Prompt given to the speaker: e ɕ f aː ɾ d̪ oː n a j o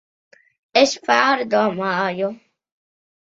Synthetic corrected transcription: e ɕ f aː ɾ d̪ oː m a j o